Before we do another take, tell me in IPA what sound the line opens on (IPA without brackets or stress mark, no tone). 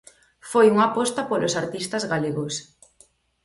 f